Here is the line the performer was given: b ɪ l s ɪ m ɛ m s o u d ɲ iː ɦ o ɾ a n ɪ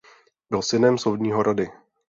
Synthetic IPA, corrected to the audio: b ɪ l s ɪ n ɛ m s o w d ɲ iː ɦ o ɾ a d ɪ